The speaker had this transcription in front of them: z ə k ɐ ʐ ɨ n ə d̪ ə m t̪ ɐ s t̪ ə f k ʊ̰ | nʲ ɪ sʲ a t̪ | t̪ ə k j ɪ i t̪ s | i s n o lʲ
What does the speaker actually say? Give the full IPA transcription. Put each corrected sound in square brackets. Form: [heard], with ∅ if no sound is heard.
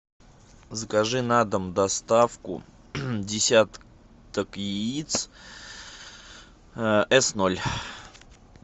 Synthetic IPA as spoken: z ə k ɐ ʐ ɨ n [a] d̪ ə m [d̪] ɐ s t̪ [a] f k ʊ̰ | [dʲ] ɪ sʲ a t̪ | t̪ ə k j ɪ i t̪ s | [ɛ] s n o lʲ

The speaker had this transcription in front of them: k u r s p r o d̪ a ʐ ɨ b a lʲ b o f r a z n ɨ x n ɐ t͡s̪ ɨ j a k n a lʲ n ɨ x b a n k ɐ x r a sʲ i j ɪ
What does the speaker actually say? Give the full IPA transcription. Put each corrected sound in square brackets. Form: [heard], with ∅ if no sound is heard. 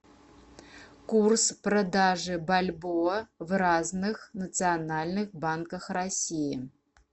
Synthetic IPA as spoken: k u r s p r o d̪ a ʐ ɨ b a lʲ b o [v] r a z n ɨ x n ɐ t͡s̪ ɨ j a [∅] n a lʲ n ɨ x b a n k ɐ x r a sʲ i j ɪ

